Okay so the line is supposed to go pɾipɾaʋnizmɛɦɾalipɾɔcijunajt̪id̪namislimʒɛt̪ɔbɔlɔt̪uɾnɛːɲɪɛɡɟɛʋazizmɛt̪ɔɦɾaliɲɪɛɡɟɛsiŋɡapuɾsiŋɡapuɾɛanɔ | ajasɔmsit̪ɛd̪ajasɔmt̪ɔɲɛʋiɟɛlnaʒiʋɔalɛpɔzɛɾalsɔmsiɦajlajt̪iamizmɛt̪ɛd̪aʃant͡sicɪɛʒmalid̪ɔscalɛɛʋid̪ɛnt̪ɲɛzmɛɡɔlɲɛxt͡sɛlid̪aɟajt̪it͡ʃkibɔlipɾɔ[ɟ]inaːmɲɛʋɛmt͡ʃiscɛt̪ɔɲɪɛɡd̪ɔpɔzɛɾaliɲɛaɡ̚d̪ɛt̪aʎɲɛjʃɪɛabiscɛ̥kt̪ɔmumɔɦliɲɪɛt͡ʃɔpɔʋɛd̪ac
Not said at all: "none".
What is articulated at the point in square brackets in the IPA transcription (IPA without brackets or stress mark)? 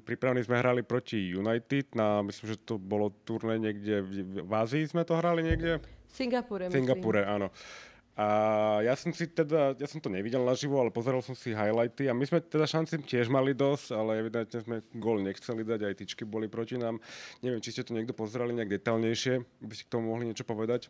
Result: c